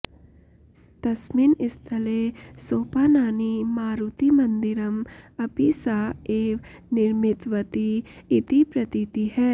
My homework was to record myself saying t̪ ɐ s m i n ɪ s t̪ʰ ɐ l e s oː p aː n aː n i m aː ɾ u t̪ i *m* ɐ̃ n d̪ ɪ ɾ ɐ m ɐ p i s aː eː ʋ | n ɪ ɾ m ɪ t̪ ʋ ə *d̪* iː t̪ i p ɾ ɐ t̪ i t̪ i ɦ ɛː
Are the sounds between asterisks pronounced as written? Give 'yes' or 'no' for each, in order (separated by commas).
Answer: yes, no